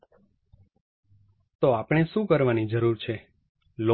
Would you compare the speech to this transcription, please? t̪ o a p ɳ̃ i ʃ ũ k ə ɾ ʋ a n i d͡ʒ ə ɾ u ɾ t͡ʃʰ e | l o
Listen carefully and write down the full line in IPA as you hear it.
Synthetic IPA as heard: t̪ o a p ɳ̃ e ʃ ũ k ə ɾ ʋ a n i d͡ʒ ə ɾ u ɾ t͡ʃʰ e | l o